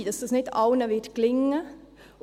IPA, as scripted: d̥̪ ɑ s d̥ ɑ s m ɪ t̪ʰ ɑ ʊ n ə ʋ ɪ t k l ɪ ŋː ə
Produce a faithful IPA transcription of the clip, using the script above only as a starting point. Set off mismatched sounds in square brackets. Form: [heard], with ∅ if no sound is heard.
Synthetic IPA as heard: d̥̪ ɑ s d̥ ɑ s [n] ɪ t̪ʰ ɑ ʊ n ə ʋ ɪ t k l ɪ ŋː ə